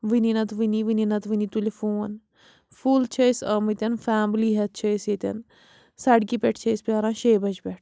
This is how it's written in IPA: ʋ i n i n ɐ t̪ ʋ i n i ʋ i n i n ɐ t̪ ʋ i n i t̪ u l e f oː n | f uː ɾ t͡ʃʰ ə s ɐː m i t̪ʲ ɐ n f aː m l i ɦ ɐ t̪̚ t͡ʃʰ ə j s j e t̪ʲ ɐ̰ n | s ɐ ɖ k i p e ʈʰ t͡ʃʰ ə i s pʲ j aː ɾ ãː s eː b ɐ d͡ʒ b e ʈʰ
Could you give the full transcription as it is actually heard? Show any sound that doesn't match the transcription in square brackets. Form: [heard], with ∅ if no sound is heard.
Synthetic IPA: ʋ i n i n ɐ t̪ ʋ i n i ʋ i n i n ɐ t̪ ʋ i n i t̪ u l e f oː n | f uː [l] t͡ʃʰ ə s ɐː m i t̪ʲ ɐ n f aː m l i ɦ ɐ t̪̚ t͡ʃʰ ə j s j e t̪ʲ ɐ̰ n | s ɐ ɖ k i p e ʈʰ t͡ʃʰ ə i s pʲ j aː ɾ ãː [ʃ] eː b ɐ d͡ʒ b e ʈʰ